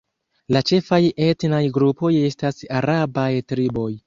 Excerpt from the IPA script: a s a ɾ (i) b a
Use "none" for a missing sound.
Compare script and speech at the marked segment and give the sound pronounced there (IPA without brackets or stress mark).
a